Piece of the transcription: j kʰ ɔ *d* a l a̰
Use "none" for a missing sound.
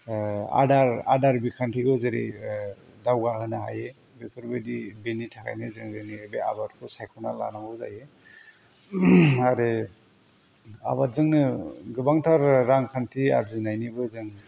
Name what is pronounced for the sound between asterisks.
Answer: n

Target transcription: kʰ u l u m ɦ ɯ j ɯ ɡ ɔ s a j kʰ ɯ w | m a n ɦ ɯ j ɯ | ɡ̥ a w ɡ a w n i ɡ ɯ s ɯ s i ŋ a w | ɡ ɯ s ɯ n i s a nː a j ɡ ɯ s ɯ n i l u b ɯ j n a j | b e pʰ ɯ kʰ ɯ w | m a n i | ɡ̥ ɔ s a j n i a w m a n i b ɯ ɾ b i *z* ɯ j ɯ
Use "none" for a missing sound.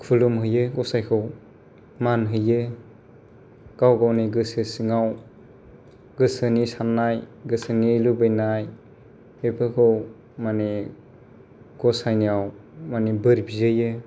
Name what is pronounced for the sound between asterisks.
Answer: z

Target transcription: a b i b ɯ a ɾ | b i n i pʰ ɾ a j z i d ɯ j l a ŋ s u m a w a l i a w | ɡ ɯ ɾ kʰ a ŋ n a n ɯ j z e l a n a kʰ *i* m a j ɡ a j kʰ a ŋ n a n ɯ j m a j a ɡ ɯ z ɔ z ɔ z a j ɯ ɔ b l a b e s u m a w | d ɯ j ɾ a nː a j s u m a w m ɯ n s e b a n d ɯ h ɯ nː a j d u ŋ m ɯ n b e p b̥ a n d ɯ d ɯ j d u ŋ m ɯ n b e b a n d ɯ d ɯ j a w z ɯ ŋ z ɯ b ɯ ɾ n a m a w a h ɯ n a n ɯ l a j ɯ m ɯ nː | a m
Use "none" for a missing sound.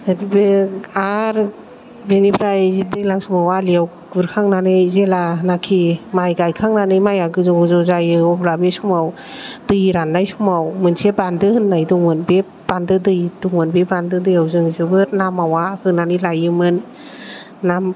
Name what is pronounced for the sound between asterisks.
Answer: i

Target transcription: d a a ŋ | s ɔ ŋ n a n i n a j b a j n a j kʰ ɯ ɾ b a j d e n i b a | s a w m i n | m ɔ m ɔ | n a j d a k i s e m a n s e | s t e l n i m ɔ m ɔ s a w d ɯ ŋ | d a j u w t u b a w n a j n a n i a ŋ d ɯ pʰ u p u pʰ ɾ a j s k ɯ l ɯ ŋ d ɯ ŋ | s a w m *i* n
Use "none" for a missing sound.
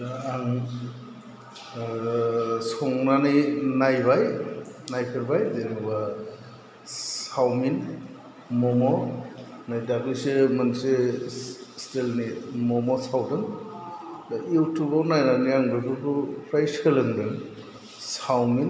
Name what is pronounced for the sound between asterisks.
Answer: i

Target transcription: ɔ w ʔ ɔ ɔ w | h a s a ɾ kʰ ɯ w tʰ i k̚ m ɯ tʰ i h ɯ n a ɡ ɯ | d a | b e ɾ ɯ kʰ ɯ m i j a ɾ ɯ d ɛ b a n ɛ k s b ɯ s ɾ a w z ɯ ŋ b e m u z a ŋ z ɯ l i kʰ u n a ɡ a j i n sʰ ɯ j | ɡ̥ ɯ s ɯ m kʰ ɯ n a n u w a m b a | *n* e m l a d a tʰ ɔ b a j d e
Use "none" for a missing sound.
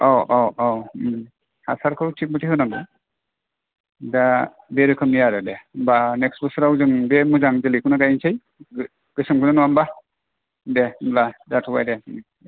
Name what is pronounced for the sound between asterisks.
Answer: d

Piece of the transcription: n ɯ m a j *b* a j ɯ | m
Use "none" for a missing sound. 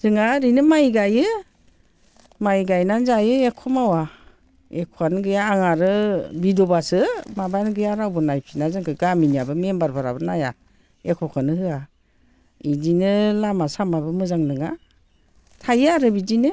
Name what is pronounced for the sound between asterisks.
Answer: ɡ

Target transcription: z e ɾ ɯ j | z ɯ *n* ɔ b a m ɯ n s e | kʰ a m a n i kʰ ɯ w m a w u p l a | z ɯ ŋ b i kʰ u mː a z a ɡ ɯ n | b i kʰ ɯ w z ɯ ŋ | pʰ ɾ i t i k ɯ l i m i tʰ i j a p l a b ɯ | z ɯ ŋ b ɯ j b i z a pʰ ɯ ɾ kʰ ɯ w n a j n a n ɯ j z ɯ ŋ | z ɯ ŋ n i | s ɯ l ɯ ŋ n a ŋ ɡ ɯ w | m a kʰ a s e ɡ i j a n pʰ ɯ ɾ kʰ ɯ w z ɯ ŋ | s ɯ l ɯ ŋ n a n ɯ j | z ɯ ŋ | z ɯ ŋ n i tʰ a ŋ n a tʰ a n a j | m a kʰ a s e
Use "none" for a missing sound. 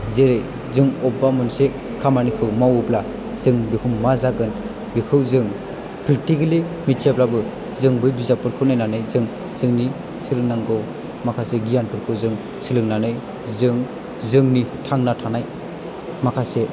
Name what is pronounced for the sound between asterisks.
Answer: ŋ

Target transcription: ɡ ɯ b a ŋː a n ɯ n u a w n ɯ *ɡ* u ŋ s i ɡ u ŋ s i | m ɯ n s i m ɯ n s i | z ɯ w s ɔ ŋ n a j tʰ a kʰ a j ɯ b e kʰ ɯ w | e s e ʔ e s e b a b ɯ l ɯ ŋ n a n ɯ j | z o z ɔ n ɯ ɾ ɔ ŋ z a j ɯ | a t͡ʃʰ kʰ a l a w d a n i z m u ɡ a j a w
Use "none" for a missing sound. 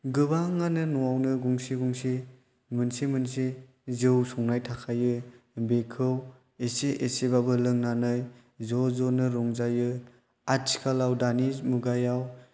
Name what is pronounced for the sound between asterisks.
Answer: ɡ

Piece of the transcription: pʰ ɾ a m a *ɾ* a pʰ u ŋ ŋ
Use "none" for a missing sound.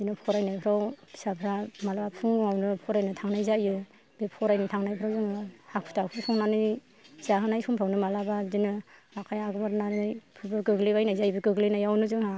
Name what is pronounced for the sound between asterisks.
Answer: l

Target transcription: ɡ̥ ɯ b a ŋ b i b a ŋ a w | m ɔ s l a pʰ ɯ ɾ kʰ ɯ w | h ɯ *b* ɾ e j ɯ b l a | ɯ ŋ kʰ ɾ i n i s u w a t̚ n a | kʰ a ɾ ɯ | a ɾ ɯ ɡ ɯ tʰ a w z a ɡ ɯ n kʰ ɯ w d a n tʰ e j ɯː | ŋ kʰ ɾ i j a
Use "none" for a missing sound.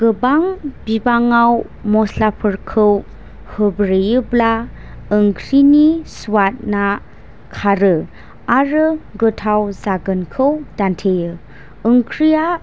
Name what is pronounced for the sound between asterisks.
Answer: b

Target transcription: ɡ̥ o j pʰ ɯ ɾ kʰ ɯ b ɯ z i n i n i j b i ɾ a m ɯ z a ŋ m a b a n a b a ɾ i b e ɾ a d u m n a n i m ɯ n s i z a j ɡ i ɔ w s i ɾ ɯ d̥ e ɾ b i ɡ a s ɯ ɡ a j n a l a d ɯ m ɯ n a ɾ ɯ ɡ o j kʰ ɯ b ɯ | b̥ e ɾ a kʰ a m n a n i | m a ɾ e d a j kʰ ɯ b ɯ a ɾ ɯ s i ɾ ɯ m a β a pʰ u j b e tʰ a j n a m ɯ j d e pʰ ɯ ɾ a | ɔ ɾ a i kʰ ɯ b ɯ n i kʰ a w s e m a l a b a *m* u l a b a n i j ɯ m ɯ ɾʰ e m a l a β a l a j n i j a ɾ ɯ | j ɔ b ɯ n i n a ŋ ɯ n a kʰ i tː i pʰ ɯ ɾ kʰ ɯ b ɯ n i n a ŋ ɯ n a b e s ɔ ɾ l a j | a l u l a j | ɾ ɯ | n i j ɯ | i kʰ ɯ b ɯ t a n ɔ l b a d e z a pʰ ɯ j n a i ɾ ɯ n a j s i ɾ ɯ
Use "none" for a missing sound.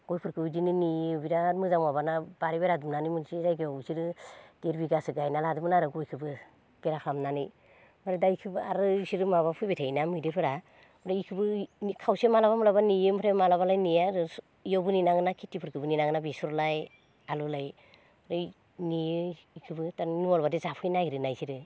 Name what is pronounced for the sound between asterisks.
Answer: m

